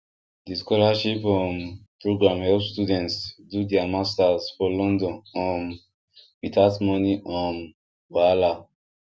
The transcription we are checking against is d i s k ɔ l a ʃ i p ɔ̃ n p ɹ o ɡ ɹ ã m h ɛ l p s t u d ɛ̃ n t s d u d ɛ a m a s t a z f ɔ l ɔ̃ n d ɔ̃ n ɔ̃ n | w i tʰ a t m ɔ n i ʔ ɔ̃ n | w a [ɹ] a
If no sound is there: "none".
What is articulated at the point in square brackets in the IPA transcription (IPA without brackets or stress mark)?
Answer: l